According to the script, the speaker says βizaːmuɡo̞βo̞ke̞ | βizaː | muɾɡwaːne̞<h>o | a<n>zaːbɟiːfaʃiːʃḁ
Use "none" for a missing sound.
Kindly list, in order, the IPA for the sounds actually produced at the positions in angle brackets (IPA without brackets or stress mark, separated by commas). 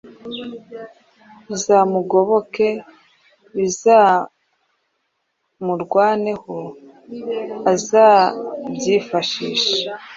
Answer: h, none